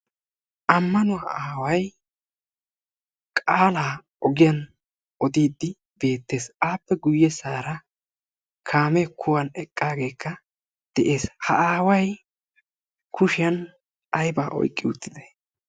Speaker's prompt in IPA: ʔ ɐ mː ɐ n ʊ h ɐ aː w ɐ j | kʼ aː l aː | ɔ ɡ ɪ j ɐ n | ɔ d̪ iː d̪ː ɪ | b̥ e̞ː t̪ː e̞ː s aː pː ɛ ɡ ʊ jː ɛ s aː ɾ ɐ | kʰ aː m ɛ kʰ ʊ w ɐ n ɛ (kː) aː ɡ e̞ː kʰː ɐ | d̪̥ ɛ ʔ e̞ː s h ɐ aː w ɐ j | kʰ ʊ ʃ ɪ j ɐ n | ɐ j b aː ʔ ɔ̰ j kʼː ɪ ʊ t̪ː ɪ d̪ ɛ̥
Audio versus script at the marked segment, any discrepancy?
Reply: yes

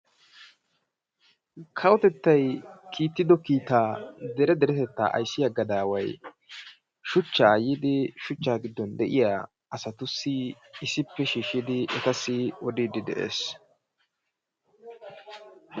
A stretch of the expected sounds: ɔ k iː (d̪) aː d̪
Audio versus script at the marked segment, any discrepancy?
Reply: yes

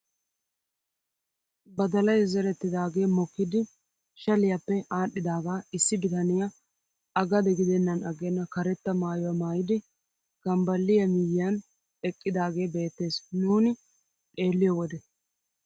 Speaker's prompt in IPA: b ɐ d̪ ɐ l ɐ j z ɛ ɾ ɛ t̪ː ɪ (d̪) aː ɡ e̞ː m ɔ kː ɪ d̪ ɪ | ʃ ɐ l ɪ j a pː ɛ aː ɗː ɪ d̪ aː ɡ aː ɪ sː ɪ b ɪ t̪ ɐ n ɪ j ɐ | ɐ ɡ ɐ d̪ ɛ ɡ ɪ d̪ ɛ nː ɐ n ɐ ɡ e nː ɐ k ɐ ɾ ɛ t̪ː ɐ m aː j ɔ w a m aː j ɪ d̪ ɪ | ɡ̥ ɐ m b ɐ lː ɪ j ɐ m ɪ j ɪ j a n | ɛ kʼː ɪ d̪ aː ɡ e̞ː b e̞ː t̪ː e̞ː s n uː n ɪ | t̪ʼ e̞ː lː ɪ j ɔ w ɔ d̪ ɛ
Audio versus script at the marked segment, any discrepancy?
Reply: no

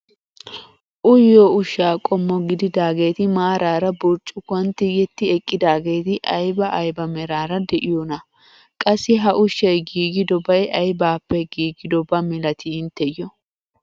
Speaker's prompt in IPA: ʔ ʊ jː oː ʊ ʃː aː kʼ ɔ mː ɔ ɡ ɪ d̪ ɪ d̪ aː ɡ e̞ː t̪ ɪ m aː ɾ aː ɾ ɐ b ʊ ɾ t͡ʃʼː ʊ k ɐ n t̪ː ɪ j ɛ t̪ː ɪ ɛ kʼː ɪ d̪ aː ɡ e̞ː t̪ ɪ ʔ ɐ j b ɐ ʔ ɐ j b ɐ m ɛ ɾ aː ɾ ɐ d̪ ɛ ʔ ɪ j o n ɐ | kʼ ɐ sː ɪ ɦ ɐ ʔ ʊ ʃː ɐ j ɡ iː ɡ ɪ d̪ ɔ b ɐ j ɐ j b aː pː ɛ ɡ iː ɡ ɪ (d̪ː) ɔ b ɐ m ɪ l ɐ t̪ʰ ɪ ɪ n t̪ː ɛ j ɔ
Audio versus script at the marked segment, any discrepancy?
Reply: yes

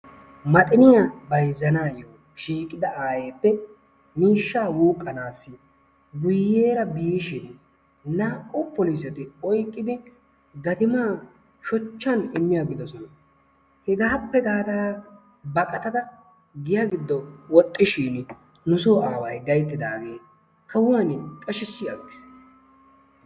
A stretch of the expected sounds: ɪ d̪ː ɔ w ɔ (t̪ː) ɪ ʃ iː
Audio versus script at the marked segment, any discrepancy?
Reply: yes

